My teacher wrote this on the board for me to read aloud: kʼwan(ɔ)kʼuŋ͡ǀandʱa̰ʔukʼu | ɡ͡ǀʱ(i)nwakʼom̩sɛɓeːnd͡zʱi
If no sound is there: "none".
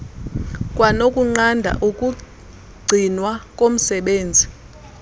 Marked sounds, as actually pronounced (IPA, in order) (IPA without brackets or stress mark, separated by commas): o, i